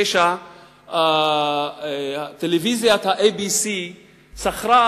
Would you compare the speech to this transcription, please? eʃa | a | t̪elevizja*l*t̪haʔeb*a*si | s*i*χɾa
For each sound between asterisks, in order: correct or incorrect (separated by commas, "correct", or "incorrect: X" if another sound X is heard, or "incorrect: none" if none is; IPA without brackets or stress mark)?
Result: incorrect: none, incorrect: i, incorrect: a